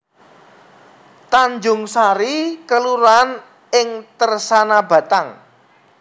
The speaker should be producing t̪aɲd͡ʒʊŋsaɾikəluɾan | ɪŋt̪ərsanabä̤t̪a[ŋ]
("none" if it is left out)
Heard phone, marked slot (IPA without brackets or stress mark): ŋ